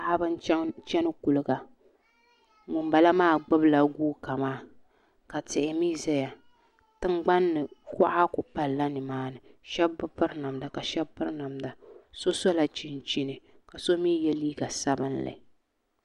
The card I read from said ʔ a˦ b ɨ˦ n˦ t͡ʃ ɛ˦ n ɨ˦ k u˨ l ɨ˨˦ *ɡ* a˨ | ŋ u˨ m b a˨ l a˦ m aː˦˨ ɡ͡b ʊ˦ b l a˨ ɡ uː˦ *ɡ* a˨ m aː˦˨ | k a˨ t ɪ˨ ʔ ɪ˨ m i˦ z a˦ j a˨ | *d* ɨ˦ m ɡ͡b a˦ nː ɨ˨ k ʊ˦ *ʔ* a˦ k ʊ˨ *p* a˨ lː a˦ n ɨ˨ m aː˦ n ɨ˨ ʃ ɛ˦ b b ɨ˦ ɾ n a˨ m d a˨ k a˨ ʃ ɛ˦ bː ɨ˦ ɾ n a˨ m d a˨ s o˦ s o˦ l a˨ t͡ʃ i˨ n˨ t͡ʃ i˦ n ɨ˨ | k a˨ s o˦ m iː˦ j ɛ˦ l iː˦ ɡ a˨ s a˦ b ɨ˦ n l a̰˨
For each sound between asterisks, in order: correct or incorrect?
correct, incorrect, incorrect, correct, correct

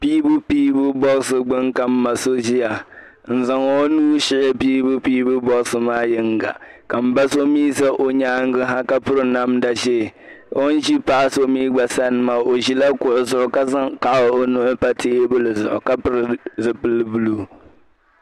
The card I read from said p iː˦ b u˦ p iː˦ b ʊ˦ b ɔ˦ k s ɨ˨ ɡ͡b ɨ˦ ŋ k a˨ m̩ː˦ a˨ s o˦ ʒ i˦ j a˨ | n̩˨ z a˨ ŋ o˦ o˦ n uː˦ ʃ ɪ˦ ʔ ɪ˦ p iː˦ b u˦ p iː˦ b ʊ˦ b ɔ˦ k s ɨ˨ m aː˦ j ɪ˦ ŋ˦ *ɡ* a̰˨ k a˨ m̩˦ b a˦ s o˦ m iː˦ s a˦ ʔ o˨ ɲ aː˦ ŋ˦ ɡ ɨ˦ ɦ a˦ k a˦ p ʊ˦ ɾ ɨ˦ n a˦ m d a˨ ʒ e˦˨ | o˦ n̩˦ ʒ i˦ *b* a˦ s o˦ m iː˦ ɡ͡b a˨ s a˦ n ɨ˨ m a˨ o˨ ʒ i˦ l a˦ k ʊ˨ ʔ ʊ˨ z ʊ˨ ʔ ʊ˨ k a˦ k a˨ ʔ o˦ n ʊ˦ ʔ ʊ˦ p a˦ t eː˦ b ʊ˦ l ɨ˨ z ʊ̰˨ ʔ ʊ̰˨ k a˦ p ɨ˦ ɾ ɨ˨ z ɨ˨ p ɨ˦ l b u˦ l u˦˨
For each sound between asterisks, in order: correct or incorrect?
correct, incorrect

